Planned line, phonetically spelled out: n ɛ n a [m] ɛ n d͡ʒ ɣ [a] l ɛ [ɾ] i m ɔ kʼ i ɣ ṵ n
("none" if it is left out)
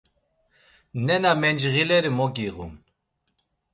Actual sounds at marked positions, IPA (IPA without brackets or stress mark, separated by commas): m, i, ɾ